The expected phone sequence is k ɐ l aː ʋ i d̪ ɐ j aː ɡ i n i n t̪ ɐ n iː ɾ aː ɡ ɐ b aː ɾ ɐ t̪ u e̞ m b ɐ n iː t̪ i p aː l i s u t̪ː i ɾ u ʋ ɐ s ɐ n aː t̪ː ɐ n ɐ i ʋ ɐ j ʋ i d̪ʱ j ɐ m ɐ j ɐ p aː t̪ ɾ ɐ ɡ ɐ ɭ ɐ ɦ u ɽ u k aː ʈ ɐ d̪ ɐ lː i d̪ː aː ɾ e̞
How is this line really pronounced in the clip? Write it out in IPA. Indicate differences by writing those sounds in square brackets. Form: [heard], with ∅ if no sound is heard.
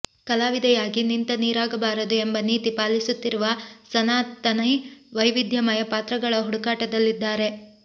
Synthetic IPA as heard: k ɐ l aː ʋ i d̪ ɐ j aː ɡ i n i n t̪ ɐ n iː ɾ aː ɡ ɐ b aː ɾ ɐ [d̪] u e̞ m b ɐ n iː t̪ i p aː l i s u t̪ː i ɾ u ʋ ɐ s ɐ n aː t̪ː ɐ n ɐ [j] ʋ ɐ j ʋ i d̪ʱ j ɐ m ɐ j ɐ p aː t̪ ɾ ɐ ɡ ɐ ɭ ɐ ɦ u ɽ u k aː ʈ ɐ d̪ ɐ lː i d̪ː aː ɾ e̞